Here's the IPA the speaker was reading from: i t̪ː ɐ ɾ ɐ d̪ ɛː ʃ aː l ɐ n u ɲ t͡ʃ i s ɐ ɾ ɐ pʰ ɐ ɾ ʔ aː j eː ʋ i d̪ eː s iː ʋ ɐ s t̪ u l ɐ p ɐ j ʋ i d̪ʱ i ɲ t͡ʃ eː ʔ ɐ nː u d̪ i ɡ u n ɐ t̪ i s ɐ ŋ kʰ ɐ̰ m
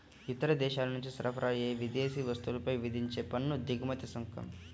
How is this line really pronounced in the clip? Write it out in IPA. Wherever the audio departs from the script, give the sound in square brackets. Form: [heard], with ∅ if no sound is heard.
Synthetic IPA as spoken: i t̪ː ɐ ɾ ɐ d̪ ɛː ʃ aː l ɐ n u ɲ t͡ʃ i s ɐ ɾ ɐ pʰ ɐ ɾ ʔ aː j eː ʋ i d̪ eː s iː ʋ ɐ s t̪ u l ɐ p ɐ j ʋ i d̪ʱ i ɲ t͡ʃ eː [p] ɐ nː u d̪ i ɡ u [m] ɐ t̪ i s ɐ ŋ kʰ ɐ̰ m